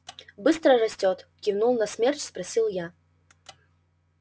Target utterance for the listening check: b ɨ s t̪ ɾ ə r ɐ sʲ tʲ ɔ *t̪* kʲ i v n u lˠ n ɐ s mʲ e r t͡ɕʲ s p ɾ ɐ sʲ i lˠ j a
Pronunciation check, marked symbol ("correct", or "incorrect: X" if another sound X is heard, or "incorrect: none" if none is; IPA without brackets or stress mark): correct